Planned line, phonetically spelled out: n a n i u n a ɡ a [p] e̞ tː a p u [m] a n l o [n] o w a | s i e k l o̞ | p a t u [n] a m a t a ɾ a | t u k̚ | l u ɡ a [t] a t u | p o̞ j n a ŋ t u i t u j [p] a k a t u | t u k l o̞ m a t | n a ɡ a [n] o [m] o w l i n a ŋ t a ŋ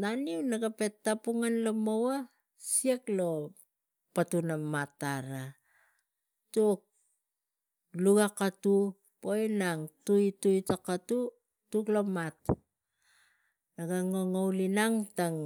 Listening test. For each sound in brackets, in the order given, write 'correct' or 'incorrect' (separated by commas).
correct, incorrect, incorrect, correct, incorrect, incorrect, incorrect, incorrect